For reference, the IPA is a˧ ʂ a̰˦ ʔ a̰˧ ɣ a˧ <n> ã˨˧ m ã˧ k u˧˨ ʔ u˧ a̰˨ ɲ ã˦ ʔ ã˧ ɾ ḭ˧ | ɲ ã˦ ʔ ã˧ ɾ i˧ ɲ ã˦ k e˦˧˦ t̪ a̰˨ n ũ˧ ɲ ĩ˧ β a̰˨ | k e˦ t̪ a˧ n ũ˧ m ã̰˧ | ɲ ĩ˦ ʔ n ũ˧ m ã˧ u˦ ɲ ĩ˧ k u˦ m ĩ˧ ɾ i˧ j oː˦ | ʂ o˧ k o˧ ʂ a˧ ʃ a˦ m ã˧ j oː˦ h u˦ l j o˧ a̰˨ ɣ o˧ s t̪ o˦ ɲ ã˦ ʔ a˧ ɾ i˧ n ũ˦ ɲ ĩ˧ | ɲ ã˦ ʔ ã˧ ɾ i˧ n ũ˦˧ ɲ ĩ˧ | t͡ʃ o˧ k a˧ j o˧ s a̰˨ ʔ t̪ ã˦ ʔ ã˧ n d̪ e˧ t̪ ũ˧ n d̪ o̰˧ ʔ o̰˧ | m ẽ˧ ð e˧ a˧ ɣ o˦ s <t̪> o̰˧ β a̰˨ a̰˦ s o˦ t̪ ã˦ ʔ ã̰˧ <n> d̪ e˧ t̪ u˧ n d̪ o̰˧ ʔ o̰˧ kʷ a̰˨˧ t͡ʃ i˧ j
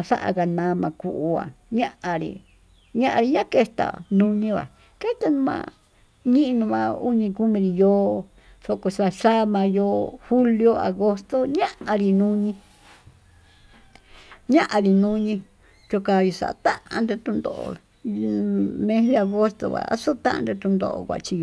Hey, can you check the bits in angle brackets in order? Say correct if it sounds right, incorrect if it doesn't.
correct, correct, correct

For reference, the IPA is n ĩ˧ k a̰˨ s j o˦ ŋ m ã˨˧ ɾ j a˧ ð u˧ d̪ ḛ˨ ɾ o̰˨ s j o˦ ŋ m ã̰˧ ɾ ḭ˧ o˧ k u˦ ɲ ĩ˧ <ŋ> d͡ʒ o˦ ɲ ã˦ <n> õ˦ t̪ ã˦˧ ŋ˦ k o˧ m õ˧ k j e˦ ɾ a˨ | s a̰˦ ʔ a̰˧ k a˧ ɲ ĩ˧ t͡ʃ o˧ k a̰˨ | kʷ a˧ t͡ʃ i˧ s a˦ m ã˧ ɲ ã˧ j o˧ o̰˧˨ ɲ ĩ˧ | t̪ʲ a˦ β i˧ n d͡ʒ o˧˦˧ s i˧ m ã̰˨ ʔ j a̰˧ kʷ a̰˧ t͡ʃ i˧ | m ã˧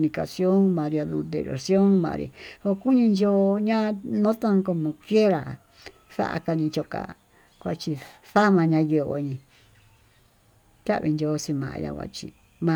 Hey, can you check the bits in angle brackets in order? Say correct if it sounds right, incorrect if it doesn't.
incorrect, correct

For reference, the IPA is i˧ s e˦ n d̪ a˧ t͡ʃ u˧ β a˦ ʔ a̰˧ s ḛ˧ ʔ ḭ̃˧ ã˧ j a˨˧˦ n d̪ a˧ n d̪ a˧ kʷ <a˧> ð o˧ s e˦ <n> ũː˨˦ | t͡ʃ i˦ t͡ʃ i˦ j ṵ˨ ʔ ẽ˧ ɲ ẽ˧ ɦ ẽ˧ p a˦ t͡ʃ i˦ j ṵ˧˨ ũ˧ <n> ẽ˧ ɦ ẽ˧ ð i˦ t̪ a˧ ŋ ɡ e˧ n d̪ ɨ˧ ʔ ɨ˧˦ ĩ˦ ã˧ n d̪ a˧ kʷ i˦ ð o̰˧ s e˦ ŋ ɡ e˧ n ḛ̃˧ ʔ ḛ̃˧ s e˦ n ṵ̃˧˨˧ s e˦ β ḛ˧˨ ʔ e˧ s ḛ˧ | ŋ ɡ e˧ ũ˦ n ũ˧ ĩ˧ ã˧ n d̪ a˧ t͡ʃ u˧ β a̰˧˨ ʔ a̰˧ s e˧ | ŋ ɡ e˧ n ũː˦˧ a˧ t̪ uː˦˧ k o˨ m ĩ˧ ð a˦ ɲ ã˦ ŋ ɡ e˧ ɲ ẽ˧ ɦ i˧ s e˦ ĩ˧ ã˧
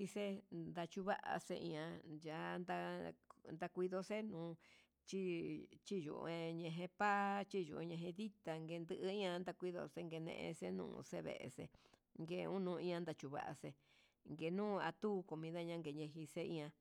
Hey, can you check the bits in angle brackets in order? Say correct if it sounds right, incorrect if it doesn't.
incorrect, correct, incorrect

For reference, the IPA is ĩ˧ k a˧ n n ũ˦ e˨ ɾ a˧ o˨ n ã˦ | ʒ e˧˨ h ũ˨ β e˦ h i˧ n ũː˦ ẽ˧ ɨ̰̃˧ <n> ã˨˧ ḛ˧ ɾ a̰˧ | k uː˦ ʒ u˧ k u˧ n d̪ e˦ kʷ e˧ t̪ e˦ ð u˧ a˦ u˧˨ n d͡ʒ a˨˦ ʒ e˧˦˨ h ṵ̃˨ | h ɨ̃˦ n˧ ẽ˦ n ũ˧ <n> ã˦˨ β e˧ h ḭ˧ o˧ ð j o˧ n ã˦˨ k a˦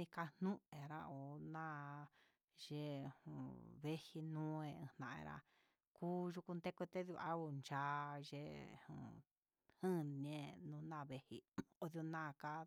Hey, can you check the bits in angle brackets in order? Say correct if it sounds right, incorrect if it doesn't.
correct, correct

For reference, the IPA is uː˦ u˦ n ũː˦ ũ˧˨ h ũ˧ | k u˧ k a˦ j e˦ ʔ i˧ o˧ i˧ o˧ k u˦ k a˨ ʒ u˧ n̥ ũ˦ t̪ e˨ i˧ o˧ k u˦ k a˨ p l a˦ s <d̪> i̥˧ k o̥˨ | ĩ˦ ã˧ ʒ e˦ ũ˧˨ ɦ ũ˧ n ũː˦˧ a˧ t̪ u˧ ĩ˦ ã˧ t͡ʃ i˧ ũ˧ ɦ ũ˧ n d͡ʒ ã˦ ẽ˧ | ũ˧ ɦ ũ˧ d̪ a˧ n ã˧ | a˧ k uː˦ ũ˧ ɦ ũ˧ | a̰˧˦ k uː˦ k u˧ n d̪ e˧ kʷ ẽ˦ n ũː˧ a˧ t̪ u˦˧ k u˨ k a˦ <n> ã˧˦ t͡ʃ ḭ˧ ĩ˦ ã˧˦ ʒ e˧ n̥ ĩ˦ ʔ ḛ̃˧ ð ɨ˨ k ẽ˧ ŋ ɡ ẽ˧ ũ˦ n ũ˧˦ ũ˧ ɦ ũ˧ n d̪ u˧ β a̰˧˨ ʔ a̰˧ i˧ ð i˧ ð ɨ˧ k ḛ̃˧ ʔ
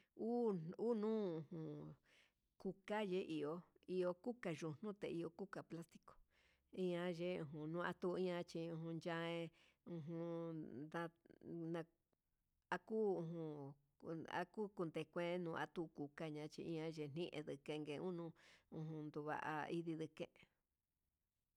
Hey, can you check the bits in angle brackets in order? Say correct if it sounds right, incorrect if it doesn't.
incorrect, incorrect

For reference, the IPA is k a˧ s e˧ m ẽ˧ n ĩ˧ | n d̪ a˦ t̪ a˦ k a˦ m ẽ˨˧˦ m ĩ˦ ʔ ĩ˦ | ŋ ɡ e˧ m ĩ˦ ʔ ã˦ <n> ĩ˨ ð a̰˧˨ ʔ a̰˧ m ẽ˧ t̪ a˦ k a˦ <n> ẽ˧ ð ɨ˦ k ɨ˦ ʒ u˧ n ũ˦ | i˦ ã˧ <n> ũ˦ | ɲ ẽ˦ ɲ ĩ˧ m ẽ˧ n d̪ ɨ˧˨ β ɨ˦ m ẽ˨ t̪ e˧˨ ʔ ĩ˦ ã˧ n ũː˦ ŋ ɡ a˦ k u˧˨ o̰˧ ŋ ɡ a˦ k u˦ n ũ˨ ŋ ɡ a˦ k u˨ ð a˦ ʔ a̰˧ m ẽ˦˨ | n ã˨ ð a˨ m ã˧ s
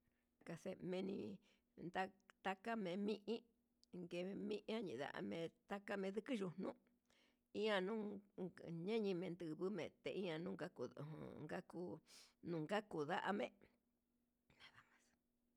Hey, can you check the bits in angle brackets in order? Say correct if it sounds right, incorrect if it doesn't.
incorrect, incorrect, correct

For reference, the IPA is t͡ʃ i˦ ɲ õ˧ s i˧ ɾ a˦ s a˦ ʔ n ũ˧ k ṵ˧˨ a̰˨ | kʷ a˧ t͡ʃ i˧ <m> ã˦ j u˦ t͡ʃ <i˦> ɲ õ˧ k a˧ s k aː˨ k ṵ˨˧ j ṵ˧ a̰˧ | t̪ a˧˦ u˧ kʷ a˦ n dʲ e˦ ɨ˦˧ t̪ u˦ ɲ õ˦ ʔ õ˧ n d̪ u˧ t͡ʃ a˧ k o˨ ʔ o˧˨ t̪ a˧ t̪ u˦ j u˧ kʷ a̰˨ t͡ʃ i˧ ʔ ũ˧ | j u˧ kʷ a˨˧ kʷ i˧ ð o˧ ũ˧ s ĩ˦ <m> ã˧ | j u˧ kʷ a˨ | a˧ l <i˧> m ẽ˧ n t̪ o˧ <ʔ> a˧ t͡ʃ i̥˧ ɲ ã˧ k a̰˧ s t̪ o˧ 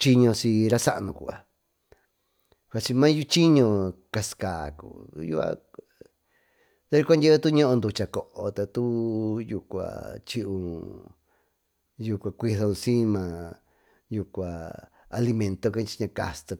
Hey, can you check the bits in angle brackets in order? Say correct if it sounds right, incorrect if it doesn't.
correct, correct, correct, correct, incorrect

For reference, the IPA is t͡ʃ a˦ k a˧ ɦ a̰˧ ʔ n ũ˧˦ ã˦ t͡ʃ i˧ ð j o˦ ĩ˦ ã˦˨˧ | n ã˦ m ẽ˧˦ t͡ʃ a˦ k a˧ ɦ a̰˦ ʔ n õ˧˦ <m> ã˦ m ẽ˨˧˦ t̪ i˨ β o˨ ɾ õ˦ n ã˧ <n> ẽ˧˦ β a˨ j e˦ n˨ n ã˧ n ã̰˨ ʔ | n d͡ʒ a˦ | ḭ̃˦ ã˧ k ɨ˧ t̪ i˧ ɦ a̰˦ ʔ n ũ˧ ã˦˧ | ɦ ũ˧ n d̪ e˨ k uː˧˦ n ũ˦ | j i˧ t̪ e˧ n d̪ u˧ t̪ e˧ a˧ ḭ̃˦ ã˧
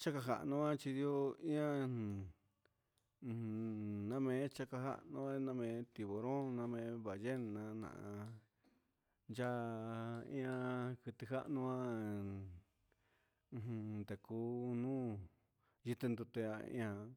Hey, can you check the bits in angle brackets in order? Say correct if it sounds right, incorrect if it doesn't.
incorrect, incorrect

